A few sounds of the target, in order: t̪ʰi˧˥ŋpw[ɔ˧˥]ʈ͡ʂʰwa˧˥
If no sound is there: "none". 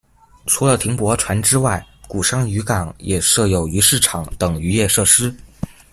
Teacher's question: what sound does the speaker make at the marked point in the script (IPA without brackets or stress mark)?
ɔ˧˥